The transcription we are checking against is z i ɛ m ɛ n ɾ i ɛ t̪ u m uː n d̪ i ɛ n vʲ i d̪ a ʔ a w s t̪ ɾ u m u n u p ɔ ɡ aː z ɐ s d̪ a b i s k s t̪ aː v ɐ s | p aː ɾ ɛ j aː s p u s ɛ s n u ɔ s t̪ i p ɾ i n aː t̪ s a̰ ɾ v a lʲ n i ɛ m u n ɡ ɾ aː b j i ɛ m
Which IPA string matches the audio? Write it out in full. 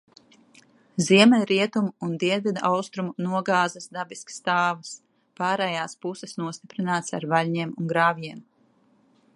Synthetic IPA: z i ɛ m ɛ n ɾ i ɛ t̪ u m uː n d̪ i ɛ n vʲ i d̪ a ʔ a w s t̪ ɾ u m u n u ɔ ɡ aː z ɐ s d̪ a b i s k s t̪ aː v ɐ s | p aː ɾ ɛ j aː s p u s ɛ s n u ɔ s t̪ i p ɾ i n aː t̪ s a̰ ɾ v a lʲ ɲ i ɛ m u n ɡ ɾ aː v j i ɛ m